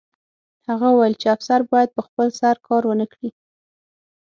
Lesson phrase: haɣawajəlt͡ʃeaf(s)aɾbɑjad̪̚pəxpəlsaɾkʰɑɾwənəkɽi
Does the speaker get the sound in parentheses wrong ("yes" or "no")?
no